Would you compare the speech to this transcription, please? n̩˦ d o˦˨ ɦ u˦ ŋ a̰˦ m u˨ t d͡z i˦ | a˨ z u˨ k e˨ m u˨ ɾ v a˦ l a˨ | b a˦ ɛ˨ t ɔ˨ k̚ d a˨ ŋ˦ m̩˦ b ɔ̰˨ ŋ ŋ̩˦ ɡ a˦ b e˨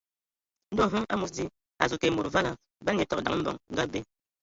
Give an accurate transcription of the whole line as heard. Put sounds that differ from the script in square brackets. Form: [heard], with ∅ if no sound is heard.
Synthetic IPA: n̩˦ d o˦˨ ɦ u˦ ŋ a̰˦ m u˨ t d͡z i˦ | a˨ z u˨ k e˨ m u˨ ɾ v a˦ l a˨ | b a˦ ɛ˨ t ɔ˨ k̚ d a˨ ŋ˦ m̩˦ b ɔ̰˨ ŋ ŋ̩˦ ɡ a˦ b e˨